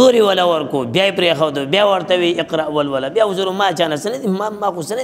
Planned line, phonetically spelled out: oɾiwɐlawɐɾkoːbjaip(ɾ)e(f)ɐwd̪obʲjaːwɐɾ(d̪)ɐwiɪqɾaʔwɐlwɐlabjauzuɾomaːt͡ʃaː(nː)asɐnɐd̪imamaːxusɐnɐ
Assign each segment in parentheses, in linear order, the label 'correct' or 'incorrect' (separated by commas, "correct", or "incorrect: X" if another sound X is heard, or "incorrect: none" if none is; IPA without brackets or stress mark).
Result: correct, incorrect: x, incorrect: t̪, incorrect: n